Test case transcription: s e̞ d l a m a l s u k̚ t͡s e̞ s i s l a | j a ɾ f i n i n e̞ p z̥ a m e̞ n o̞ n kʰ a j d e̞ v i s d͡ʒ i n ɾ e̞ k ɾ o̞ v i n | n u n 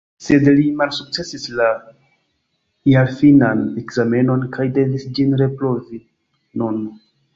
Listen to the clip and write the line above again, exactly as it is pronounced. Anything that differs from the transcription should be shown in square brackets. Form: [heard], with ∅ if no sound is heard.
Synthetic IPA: s e̞ d l [i] m a l s u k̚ t͡s e̞ s i s l a | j a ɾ f i n [a] n e̞ [k] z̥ a m e̞ n o̞ n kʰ a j d e̞ v i s d͡ʒ i n ɾ e̞ [p] ɾ o̞ v i [∅] | n u n